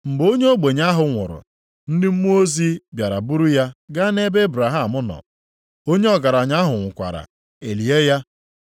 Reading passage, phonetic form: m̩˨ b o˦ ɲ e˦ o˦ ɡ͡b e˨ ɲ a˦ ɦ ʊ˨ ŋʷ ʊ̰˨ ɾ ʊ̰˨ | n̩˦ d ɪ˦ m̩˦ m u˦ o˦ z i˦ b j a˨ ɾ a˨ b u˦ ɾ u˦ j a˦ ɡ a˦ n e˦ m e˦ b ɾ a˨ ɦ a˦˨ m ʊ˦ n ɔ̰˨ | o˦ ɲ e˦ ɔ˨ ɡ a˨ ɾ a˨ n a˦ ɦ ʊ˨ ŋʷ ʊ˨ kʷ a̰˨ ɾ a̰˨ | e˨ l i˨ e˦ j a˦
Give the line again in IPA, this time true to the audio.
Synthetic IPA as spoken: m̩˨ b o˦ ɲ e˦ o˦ ɡ͡b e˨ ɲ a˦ ɦ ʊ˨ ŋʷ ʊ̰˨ ɾ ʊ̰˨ | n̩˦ d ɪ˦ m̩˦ m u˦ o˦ z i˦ b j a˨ ɾ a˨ b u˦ ɾ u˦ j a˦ ɡ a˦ n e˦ b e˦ b ɾ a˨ ɦ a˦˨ m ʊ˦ n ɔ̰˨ | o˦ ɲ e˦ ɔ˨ ɡ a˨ ɾ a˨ ɲ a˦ ɦ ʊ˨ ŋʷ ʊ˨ kʷ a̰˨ ɾ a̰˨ | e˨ l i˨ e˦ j a˦